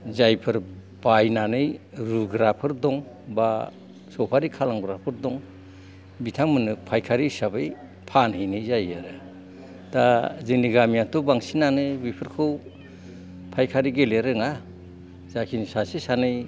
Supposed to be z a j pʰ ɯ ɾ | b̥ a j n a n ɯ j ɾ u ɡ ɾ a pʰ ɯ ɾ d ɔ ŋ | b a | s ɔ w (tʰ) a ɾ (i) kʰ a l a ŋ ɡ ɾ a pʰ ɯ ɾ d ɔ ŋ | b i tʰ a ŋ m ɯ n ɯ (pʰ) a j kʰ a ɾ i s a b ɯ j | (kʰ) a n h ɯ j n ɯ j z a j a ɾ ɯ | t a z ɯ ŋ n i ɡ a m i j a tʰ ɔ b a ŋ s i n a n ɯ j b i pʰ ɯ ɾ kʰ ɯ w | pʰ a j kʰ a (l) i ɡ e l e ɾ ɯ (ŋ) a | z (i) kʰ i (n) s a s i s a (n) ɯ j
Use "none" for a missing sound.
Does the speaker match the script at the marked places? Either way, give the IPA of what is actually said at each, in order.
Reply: pʰ, i, pʰ, pʰ, ɾ, ŋ, a, n, n

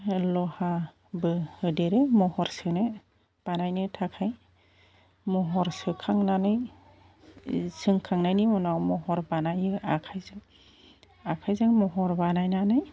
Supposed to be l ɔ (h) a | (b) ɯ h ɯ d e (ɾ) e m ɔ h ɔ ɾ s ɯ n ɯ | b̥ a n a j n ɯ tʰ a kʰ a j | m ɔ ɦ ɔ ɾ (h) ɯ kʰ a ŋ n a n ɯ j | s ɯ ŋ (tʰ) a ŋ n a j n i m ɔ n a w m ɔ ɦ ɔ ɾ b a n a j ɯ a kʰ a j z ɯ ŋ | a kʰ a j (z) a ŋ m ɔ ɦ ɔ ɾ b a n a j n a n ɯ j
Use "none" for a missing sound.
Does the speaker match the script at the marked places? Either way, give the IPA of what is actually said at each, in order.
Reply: h, b, ɾ, s, kʰ, z

